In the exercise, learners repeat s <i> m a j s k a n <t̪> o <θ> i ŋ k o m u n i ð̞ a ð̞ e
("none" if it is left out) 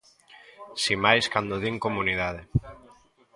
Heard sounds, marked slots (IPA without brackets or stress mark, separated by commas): i, d̪, ð